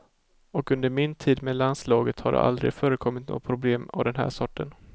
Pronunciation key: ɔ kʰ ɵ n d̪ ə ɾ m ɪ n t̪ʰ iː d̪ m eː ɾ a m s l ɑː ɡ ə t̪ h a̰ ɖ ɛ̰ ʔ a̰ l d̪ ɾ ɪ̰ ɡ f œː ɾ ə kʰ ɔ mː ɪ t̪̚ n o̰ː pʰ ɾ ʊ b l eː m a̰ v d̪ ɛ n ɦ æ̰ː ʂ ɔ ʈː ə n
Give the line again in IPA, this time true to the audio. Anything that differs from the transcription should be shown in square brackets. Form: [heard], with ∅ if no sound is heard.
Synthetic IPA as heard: ɔ [k] ɵ n d̪ ə ɾ m ɪ n t̪ʰ iː d̪ m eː [l] a [n] s l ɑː ɡ ə t̪ h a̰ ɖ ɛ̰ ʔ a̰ l d̪ ɾ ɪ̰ ɡ f œː ɾ ə kʰ ɔ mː ɪ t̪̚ n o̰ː pʰ ɾ ʊ b l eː m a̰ v d̪ ɛ n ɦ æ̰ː ʂ ɔ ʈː ə n

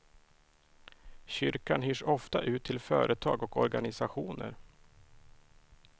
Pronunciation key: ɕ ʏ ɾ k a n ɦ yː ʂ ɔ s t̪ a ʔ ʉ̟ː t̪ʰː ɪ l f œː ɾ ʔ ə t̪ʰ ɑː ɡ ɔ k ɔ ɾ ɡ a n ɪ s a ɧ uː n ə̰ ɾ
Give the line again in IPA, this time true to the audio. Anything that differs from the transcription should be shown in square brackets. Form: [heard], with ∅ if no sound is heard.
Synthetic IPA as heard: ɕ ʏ ɾ k a n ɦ yː ʂ ɔ [f] t̪ a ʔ ʉ̟ː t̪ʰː ɪ l f œː ɾ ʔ ə t̪ʰ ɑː ɡ ɔ k ɔ ɾ ɡ a n ɪ s a ɧ uː n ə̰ ɾ

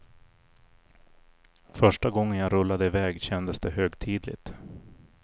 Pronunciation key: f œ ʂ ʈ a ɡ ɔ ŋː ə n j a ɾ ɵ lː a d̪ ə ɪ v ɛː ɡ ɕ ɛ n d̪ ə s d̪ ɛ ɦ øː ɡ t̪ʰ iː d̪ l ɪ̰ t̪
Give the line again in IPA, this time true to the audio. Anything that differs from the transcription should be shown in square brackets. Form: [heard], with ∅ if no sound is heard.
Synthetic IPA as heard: f œ ʂ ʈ a ɡ ɔ ŋː ə n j a ɾ ɵ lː a d̪ ə ɪ v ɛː ɡ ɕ ɛ n d̪ ə s d̪ ɛ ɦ øː ɡ t̪ʰ iː d̪ l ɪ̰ t̪

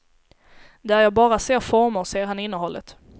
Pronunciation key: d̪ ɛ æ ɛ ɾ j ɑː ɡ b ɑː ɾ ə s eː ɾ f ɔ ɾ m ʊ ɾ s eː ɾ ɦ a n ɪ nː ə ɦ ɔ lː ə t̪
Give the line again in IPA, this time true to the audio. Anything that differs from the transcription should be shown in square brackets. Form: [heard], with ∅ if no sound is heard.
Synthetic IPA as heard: d̪ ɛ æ [æ] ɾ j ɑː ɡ b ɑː ɾ [a] s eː ɾ f ɔ ɾ m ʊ ɾ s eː ɾ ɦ a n ɪ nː ə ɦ ɔ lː ə t̪

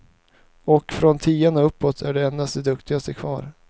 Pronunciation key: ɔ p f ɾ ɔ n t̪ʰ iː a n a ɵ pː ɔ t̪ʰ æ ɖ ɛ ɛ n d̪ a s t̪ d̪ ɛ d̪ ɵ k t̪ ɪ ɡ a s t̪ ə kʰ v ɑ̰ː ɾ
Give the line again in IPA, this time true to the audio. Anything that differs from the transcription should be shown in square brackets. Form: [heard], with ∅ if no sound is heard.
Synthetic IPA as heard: ɔ [k] f ɾ ɔ n t̪ʰ iː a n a ɵ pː ɔ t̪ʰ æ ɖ ɛ ɛ n d̪ a s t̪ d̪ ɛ d̪ ɵ k t̪ ɪ ɡ a s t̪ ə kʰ v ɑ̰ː ɾ

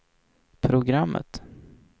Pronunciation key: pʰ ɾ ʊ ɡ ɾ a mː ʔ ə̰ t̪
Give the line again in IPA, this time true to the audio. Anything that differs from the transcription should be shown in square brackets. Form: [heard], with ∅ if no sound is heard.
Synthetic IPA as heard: pʰ ɾ ʊ ɡ ɾ a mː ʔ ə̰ t̪

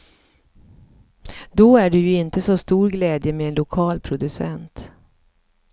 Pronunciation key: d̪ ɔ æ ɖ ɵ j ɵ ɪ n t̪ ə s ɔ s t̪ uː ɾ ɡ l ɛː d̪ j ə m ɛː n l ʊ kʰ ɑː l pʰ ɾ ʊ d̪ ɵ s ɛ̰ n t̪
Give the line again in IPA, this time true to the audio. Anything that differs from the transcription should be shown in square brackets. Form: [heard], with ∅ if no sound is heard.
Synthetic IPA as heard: d̪ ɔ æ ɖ ɵ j ɵ ɪ n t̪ ə s ɔ s t̪ uː ɾ ɡ l ɛː d̪ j ə m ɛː n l ʊ kʰ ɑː l pʰ ɾ ʊ d̪ ɵ s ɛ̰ n t̪

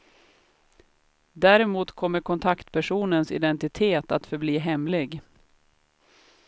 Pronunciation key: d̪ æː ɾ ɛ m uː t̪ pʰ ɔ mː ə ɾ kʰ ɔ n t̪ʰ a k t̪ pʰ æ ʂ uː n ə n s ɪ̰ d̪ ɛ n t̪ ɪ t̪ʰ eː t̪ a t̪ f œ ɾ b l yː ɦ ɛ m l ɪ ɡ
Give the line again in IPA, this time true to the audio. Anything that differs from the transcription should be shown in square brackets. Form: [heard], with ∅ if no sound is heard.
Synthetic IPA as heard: d̪ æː ɾ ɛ m uː t̪ [kʰ] ɔ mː ə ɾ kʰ ɔ n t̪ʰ a k t̪ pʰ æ ʂ uː n ə n s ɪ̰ d̪ ɛ n t̪ ɪ t̪ʰ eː t̪ a t̪ f œ ɾ b l [iː] ɦ ɛ m l ɪ ɡ

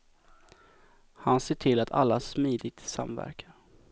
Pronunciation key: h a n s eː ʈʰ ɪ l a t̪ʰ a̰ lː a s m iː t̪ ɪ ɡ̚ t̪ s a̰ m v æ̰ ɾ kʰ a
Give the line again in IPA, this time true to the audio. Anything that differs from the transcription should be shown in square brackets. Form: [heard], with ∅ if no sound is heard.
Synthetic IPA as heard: h a n s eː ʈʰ ɪ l a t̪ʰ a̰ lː a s m iː [d̪] ɪ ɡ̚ t̪ s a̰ m v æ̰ ɾ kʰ a

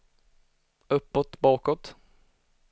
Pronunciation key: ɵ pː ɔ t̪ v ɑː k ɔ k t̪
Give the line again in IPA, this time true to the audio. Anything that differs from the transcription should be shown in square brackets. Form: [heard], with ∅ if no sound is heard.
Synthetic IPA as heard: ɵ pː ɔ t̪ [b] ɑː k ɔ [∅] t̪

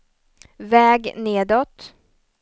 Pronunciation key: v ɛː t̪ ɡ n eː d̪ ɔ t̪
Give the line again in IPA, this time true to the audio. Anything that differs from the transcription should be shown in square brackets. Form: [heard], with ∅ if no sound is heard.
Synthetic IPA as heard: v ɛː [∅] ɡ n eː d̪ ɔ t̪

